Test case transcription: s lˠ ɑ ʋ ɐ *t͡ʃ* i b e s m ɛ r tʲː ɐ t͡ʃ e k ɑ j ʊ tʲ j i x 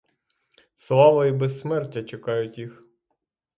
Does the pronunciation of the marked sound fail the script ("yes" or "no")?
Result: yes